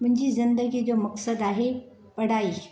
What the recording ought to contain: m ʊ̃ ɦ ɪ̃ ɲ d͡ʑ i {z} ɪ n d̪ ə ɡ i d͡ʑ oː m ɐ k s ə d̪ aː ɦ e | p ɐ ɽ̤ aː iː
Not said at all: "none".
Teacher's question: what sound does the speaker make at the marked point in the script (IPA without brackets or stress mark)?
z